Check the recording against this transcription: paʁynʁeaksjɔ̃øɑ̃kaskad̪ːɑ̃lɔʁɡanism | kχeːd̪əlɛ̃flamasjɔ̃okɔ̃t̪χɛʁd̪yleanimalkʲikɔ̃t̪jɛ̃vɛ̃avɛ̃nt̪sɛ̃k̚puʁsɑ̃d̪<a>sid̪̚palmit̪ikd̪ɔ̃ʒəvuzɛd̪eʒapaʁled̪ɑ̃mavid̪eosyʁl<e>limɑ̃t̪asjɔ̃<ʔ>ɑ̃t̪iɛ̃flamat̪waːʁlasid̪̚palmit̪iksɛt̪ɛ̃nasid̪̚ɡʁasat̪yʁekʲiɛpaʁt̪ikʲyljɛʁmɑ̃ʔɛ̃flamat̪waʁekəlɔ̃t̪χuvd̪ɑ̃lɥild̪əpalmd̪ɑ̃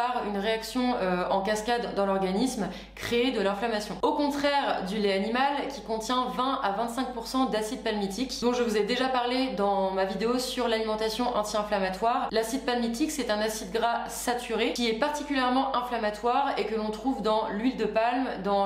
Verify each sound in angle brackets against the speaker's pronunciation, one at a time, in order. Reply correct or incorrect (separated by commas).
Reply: correct, incorrect, correct